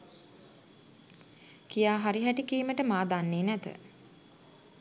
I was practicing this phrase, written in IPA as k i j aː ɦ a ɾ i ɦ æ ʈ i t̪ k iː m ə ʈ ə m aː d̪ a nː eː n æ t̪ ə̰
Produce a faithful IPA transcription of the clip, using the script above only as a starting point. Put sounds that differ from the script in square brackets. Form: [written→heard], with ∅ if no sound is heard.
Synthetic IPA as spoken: k i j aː ɦ a ɾ i ɦ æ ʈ i [t̪→∅] k iː m ə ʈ ə m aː d̪ a nː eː n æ t̪ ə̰